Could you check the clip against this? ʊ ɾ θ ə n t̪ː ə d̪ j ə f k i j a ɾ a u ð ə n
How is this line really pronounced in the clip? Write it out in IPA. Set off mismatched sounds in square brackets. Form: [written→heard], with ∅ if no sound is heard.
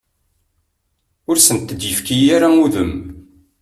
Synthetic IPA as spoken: ʊ ɾ [θ→s] ə n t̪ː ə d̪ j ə f k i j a ɾ a u ð ə [n→m]